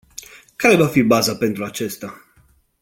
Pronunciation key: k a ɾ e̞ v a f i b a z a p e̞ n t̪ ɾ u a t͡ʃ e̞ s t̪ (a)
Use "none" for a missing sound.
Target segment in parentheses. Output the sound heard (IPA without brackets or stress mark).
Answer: a